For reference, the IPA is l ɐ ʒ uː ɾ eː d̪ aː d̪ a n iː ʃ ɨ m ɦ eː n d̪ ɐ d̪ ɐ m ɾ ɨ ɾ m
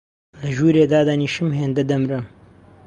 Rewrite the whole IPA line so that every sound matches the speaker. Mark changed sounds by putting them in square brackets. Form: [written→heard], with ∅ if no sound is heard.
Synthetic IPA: l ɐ ʒ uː ɾ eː d̪ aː d̪ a n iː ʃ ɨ m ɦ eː n d̪ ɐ d̪ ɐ m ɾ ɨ [ɾ→∅] m